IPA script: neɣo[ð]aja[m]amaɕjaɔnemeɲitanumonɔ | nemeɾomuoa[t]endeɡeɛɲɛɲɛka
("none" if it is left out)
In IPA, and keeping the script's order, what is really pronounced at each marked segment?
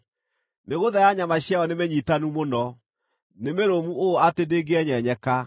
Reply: ð, ɲ, t

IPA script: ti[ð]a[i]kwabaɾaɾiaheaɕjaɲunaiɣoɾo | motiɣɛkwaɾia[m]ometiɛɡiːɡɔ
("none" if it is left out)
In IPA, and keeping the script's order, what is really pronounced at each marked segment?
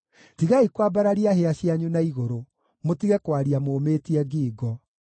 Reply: ɣ, i, m

